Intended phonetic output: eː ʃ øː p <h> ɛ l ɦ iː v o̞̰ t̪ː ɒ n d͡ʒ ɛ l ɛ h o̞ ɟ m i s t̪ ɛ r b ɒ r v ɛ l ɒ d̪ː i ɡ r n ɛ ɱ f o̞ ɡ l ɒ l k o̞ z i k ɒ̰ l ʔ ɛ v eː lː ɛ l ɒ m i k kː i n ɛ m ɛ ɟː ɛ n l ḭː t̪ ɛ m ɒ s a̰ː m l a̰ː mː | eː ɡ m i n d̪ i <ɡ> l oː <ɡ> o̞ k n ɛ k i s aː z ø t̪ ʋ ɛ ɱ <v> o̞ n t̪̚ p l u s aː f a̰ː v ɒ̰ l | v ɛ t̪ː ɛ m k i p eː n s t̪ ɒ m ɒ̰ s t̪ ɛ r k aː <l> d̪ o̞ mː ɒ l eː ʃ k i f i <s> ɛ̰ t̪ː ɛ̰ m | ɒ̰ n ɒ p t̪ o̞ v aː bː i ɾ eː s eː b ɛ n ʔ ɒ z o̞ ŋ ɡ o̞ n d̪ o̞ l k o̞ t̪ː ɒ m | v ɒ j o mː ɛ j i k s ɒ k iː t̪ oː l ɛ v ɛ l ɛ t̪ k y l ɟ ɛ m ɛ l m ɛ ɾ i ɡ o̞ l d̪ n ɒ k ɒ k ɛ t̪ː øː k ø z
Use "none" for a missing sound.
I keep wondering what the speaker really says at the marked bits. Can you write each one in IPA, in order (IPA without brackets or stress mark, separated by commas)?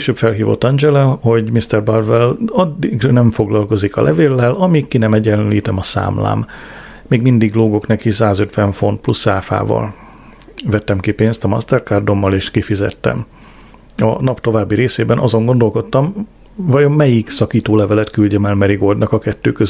f, ɡ, ɡ, f, r, z